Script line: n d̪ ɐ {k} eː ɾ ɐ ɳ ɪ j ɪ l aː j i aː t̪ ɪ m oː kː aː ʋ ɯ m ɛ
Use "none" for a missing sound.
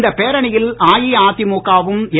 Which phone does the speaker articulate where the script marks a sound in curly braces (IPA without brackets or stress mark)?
p